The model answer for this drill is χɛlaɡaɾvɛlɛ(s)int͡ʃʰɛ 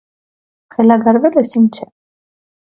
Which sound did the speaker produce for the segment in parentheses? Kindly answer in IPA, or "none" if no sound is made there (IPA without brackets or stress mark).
s